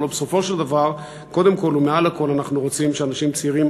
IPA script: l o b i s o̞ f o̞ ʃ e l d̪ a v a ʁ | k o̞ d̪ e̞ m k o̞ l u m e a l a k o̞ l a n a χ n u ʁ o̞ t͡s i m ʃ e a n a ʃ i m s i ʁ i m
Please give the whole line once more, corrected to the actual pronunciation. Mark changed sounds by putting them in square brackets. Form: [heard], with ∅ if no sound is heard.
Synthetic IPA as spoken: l o b [e] s o̞ f o̞ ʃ e l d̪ a v a ʁ | k o̞ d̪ e̞ m k o̞ l u m e a l a k o̞ l a n a χ n u ʁ o̞ t͡s i m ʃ e a n a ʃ i m [t͡s] i ʁ i m

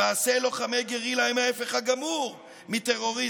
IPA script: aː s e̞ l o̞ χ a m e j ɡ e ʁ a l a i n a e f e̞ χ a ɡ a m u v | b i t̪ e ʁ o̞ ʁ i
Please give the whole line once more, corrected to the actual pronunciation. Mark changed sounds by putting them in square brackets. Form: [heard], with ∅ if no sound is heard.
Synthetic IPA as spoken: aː s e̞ l o̞ χ a m e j ɡ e ʁ [i] l a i [m] a e f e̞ χ a ɡ a m u [ʁ] | [m] i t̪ e ʁ o̞ ʁ i

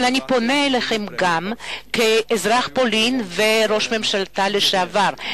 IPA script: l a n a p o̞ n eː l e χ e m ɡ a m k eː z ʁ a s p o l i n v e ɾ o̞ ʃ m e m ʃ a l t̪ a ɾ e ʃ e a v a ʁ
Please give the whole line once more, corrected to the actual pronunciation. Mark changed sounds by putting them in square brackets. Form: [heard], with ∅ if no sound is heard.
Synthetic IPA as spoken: l a n [i] p o̞ n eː l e χ e m ɡ a m k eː z ʁ a [χ] p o l i n v e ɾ o̞ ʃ m e m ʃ a l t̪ a [l] e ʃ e a v a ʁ

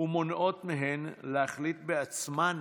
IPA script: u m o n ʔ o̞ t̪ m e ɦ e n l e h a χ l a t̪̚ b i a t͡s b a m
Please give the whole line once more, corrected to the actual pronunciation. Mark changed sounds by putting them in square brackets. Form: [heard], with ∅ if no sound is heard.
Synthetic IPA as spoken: u m o n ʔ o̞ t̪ m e ɦ e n l e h a χ l [i] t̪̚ b [e] a t͡s [m] a [n]

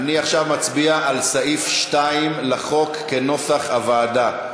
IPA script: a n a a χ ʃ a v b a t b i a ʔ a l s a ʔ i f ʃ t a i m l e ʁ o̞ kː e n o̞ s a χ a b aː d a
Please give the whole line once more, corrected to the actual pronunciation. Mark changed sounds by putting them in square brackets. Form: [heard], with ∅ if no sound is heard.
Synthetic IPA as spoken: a n [i] a χ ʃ a v [m] a [t͡s] b i a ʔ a l s a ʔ i f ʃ t a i m l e [χ] o̞ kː e n o̞ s a χ a [v] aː d a

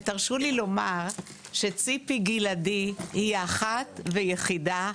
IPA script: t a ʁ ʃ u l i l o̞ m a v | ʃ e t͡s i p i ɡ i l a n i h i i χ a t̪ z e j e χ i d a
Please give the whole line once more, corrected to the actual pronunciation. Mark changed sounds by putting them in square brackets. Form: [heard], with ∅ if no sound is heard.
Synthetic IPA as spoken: t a ʁ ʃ u l i l o̞ m a [ʁ] | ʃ e t͡s i p i ɡ i l a [d] i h i [a] χ a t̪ [v] e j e χ i d a

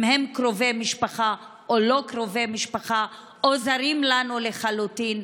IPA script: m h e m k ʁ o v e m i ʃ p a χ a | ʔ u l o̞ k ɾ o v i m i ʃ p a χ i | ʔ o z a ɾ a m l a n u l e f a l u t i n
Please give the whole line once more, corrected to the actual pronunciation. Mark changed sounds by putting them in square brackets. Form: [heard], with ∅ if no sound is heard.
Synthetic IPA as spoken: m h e m k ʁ o v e m i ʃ p a χ a | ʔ [o] l o̞ k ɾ o v [e] m i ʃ p a χ [a] | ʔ o z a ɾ [i] m l a n u l e [χ] a l u t i n

